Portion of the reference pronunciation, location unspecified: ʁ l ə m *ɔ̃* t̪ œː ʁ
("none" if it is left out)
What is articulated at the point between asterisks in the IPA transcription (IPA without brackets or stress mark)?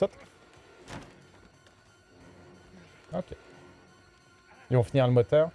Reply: ɔ